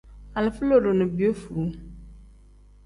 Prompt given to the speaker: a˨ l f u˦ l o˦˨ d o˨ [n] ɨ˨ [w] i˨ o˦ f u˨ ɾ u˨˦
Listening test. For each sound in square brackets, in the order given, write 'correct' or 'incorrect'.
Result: correct, incorrect: b

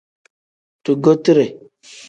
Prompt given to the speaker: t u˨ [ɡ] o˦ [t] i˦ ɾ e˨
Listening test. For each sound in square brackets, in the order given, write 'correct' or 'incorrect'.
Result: correct, correct

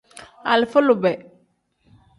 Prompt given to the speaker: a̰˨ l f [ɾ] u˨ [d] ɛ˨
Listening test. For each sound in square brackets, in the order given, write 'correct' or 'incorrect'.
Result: incorrect: l, incorrect: b

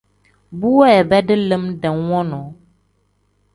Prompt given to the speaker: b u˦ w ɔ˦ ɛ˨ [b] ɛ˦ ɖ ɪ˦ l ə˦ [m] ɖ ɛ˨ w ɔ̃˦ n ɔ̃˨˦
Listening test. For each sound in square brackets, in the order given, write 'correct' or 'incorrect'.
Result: correct, correct

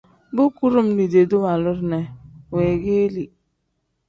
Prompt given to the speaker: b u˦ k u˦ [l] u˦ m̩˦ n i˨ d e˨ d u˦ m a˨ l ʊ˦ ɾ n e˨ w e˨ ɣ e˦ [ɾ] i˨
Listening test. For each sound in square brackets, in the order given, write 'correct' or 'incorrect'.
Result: incorrect: ɾ, incorrect: l

